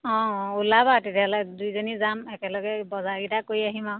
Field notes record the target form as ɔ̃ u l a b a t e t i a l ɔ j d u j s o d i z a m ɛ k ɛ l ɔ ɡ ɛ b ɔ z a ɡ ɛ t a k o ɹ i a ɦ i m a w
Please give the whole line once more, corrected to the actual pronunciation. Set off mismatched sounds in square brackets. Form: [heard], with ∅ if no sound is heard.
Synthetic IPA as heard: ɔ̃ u l a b a t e t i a l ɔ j d u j [z] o [n] i z a m ɛ k ɛ l ɔ ɡ ɛ b ɔ z a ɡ [i] t a k o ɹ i a ɦ i m a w